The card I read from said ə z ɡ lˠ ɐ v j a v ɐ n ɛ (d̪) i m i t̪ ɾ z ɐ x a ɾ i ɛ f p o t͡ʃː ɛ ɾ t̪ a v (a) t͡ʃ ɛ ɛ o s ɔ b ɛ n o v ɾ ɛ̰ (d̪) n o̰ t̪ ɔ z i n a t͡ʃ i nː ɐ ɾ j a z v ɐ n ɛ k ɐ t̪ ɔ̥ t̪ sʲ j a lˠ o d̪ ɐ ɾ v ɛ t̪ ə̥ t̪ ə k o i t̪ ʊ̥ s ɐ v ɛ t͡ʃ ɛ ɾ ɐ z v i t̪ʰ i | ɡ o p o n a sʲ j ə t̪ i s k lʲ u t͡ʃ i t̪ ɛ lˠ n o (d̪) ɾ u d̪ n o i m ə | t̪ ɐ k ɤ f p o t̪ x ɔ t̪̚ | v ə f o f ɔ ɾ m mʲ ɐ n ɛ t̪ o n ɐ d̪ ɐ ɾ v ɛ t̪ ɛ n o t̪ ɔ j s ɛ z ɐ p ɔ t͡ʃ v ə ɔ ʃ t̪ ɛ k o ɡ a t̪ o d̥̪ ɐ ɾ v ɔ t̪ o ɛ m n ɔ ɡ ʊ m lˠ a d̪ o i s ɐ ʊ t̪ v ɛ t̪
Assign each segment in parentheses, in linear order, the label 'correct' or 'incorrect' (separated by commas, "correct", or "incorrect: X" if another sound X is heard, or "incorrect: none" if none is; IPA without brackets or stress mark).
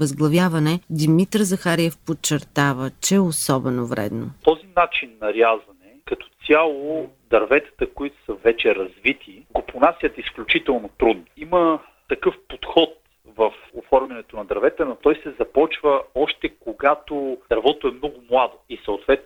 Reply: correct, incorrect: ə, correct, incorrect: t̪